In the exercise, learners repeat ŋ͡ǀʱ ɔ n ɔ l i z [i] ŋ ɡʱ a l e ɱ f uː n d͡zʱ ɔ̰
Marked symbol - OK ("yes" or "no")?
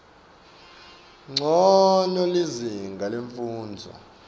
yes